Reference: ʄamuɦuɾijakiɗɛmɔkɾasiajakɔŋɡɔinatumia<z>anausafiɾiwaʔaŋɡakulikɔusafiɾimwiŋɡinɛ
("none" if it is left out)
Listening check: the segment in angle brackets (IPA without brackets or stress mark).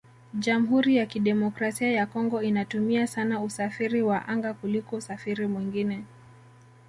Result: s